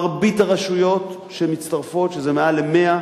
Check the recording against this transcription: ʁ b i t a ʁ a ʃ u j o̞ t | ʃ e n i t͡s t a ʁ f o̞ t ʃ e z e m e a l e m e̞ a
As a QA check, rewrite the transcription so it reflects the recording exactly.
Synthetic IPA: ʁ b i t a ʁ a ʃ u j o̞ t | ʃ e m i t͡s t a ʁ f o̞ t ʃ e z e m e a l e m e̞ a